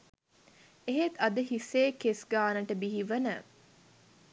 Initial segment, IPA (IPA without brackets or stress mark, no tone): e